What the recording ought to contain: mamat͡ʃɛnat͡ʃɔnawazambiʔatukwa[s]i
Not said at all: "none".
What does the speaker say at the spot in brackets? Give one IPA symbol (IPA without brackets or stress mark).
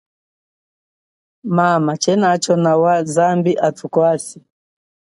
s